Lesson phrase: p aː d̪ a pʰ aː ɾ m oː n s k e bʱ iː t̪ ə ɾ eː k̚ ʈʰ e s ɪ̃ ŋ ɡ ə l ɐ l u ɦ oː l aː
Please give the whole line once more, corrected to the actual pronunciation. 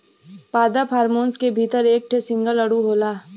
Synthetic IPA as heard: p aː d̪ a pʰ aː ɾ m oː n s k e bʱ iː t̪ ə ɾ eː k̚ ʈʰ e s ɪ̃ ŋ ɡ ə l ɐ ɽ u ɦ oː l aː